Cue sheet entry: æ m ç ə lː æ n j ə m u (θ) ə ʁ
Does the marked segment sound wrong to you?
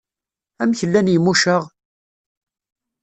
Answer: yes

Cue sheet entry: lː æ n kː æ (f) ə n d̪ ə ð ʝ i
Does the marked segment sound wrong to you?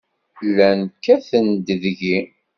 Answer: yes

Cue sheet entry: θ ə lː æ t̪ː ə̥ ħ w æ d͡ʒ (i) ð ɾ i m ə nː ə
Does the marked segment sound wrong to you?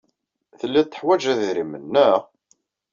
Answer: yes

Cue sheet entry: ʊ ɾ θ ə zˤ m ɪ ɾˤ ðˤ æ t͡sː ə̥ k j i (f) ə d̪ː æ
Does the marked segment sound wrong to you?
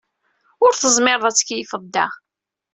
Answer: no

